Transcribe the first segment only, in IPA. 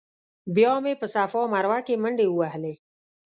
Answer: b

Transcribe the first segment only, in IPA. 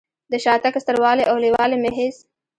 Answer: d̪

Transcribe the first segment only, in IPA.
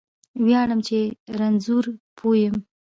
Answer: w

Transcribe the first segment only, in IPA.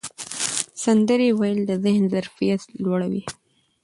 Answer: s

